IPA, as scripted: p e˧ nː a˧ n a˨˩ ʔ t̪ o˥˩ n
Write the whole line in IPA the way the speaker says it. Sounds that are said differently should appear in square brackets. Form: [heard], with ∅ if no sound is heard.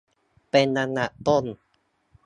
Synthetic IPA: p e˧ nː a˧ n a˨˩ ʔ t̪ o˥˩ n